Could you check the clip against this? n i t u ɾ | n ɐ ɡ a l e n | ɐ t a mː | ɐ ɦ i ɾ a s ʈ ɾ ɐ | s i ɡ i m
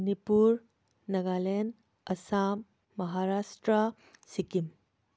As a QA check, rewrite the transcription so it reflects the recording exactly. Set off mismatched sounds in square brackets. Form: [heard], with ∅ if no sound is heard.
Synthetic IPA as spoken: n i [p] u ɾ | n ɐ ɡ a l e n | ɐ [s] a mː | ɐ ɦ [a] ɾ a s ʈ ɾ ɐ | s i [k] i m